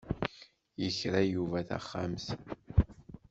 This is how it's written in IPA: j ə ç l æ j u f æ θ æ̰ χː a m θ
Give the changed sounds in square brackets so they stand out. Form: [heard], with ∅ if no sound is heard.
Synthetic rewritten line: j ə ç [ɾ] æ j u [v] æ θ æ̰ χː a m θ

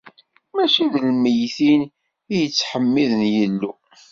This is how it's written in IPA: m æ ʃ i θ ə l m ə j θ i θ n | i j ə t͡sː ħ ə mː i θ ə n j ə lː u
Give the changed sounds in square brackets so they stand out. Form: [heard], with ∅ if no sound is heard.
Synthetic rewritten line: m æ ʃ i [ð] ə l m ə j θ i [∅] n | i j ə t͡sː ħ ə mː i [ð] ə n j ə lː u

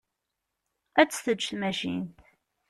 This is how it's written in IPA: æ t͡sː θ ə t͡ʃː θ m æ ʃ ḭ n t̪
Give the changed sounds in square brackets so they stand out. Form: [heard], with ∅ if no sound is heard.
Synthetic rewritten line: æ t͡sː θ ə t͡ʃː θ m æ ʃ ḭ n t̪

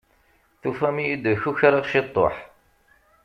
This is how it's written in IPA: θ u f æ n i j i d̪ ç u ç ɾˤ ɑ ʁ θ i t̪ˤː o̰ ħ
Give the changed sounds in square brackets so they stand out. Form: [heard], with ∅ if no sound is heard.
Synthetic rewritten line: θ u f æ [m] i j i d̪ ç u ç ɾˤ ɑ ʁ [ʃ] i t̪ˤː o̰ ħ

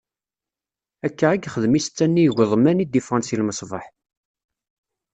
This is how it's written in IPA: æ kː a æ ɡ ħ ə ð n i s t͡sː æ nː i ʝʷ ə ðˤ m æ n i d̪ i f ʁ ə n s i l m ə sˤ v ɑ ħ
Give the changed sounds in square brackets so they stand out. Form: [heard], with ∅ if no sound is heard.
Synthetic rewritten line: æ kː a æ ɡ [χ] ə ð [m] i s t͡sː æ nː i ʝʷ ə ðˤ m æ n i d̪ i f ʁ [ɑ] n s i l m ə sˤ v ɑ ħ

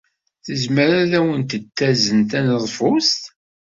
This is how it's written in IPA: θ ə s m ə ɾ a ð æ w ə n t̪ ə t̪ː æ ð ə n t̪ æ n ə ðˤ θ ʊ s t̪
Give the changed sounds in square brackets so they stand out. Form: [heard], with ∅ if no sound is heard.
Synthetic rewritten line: θ ə [z] m ə ɾ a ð æ w ə n t̪ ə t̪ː æ [z] ə n t̪ æ n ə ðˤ [f] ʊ s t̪

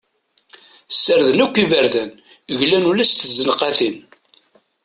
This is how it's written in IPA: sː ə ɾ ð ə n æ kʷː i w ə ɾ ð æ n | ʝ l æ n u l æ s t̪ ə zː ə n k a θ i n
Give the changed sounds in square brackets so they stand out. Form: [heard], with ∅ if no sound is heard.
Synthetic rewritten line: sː ə ɾ ð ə n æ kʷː i [v] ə ɾ ð æ n | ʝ l æ n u l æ s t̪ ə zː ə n [q] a θ i n

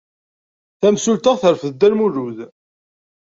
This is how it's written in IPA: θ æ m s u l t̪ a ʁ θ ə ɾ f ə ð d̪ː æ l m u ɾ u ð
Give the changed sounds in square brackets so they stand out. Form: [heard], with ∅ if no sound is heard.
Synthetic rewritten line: θ æ m s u l t̪ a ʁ θ ə ɾ f ə ð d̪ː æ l m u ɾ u ð

